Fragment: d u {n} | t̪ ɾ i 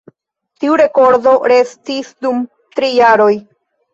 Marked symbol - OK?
no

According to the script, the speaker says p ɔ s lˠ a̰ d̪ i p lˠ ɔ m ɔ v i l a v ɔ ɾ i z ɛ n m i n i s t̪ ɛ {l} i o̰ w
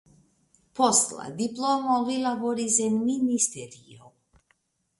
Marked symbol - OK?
no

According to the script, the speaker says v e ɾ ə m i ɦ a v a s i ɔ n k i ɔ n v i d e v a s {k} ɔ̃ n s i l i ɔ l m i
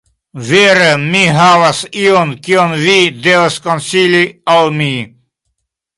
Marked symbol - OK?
yes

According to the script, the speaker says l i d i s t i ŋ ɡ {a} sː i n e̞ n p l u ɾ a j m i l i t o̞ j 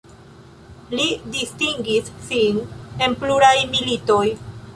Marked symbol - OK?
no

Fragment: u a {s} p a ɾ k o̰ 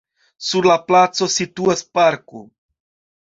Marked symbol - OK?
yes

